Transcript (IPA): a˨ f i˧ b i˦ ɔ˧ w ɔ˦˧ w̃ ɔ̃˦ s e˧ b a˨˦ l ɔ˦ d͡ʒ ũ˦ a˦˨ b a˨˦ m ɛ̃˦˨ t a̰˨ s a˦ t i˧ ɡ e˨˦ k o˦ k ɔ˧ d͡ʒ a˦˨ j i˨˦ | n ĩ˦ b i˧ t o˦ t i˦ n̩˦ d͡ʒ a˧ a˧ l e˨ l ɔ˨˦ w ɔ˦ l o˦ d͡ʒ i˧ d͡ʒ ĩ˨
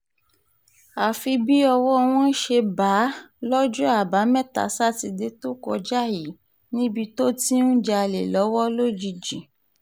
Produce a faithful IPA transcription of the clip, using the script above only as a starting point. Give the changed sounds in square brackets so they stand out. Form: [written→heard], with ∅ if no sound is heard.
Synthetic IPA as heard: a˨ f i˧ b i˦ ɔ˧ w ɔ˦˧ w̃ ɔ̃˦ [s→ʃ] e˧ b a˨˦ l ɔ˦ d͡ʒ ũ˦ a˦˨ b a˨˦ m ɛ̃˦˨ t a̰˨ s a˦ t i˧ [ɡ→d] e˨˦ [k→t] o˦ k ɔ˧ d͡ʒ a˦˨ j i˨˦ | n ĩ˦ b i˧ t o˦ t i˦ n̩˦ d͡ʒ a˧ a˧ l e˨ l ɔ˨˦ w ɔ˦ l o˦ d͡ʒ i˧ d͡ʒ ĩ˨